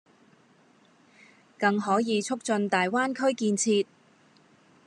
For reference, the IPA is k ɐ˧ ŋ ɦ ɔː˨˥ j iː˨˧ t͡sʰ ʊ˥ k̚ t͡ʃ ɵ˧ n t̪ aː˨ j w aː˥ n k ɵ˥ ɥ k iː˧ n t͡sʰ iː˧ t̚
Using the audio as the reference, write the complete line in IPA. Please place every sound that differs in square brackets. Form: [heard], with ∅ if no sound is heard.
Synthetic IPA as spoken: k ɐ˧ ŋ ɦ ɔː˨˥ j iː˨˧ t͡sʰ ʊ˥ k̚ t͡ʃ ɵ˧ n t̪ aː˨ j w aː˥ n [kʰ] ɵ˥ ɥ k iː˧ n t͡sʰ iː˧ t̚